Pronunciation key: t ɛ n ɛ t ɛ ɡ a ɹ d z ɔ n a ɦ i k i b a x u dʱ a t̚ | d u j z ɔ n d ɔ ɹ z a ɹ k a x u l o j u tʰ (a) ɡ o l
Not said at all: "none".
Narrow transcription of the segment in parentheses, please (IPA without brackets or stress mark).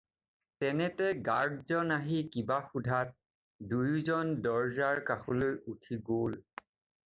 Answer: i